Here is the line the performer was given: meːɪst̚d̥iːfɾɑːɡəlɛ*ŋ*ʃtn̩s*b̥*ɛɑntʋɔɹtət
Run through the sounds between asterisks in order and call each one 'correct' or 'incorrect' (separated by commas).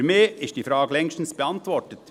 correct, correct